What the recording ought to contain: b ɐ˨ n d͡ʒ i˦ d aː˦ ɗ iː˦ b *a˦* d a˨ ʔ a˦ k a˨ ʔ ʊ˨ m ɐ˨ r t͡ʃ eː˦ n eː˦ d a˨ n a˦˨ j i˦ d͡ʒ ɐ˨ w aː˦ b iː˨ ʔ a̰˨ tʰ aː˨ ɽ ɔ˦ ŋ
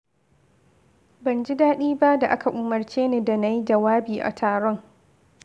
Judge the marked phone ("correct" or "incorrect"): correct